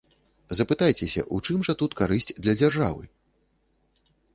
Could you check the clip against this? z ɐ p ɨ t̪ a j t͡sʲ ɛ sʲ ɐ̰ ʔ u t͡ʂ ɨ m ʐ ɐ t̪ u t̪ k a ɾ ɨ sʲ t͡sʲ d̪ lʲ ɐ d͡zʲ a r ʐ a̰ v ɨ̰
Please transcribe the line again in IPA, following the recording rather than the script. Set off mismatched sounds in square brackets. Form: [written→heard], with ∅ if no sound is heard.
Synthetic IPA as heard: z ɐ p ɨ t̪ a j t͡sʲ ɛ sʲ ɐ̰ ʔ u t͡ʂ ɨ m ʐ ɐ t̪ u t̪ k a ɾ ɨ sʲ t͡sʲ d̪ lʲ ɐ d͡zʲ a r ʐ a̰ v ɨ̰